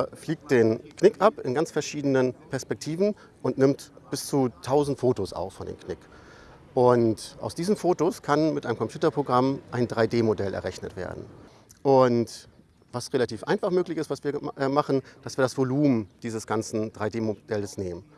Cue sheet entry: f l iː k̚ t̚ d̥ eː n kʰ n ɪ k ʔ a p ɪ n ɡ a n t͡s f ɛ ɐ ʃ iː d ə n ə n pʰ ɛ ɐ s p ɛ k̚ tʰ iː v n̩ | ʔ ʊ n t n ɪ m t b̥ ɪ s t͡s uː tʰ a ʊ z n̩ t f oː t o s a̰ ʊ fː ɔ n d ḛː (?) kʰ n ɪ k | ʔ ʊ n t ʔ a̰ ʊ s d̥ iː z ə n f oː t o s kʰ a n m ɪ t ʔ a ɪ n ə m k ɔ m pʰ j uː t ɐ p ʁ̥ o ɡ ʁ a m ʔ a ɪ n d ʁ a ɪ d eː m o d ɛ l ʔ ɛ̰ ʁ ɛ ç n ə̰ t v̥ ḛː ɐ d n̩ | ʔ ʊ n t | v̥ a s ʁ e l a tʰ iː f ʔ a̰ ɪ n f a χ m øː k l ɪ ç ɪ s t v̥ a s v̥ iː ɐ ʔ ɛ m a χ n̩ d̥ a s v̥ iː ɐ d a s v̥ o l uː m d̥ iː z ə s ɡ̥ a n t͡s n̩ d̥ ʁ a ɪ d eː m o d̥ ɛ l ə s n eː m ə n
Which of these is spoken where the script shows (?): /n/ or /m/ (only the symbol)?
m